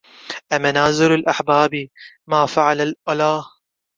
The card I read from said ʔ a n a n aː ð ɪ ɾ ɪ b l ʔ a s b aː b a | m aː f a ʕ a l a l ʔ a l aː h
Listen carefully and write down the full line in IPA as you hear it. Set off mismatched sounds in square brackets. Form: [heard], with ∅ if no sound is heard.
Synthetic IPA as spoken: ʔ a [m] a n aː [z] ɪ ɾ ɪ [∅] l ʔ a [ħ] b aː b [i] | m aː f a ʕ a l a l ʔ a l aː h